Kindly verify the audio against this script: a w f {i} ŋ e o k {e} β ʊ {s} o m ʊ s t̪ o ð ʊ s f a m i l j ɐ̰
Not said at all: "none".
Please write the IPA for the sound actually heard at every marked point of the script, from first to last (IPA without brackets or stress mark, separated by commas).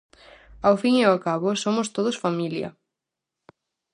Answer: i, a, s